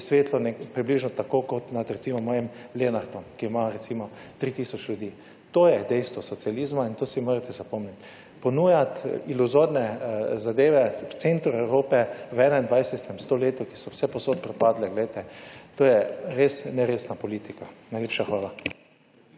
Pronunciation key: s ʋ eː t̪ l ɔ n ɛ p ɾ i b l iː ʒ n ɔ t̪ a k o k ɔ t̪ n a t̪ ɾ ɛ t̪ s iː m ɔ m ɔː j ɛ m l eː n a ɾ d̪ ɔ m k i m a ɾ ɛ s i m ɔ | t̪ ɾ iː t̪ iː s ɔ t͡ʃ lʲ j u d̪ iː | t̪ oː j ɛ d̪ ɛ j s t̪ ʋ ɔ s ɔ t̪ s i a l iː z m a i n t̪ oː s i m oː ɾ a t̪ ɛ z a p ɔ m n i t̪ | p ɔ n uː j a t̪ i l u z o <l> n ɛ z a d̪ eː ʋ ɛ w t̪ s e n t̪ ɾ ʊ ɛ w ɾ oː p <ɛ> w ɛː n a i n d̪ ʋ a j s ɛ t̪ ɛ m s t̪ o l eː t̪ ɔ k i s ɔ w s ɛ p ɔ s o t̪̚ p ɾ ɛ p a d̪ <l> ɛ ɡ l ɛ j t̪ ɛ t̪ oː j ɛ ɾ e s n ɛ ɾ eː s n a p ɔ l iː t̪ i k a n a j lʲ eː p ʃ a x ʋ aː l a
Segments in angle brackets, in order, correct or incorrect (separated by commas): incorrect, correct, correct